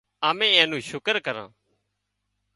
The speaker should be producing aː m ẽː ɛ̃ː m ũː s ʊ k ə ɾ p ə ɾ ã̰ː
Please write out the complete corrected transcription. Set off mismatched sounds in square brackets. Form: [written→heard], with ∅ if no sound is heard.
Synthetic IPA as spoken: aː m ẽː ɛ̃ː [m→n] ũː [s→ʃ] ʊ k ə ɾ [p→k] ə ɾ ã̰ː